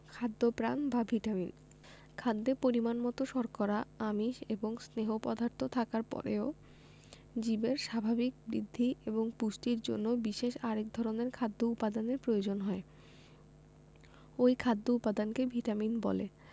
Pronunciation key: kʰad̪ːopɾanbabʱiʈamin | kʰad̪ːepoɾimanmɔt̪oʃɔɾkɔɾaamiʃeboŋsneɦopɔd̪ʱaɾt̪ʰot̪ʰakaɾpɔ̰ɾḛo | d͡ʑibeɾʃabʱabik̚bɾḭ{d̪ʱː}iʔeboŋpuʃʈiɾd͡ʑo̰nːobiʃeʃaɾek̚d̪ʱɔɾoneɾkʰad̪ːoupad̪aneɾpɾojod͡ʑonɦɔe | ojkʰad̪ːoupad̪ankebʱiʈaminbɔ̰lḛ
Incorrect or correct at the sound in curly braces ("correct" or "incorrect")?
correct